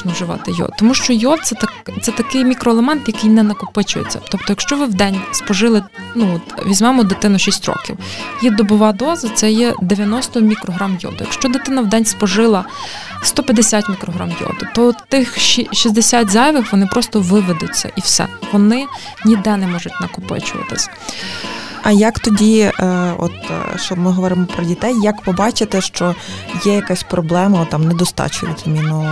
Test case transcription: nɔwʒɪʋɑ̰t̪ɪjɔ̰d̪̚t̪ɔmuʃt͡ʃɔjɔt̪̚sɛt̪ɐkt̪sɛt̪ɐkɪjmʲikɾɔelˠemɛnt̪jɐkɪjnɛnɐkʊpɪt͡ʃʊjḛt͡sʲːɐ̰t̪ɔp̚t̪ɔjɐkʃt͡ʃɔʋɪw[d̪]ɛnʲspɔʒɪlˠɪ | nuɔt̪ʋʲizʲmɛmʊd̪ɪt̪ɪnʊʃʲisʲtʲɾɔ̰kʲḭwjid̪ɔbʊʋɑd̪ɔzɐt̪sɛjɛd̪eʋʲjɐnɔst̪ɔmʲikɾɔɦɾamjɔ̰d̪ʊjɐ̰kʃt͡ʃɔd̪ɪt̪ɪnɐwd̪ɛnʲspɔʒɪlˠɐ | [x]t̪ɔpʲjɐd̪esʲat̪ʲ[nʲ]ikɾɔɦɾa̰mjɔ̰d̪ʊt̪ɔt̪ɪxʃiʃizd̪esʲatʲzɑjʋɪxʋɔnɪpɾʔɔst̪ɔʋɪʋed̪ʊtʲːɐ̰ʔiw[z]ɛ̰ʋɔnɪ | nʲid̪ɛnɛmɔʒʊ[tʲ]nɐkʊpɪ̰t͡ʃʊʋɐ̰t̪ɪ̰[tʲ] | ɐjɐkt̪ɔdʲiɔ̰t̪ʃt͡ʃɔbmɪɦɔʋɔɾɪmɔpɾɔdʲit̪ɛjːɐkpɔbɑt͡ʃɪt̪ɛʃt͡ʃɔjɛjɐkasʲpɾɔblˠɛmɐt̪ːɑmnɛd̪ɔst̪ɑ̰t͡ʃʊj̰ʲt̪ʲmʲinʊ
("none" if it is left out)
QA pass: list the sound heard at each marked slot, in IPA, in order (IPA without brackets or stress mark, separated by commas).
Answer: d̪, s, mʲ, s, tʲ, sʲ